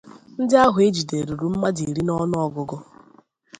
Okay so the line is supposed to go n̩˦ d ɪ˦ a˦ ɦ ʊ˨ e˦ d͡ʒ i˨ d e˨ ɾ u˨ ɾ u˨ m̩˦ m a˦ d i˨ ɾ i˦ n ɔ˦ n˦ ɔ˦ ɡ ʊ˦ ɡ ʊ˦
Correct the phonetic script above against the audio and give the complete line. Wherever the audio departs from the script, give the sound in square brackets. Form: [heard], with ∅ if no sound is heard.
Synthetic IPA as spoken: n̩˦ d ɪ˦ a˦ ɦ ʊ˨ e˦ d͡ʒ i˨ d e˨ ɾ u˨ ɾ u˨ m̩˦ m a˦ d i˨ ɾ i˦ n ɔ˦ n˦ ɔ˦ ɡ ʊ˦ ɡ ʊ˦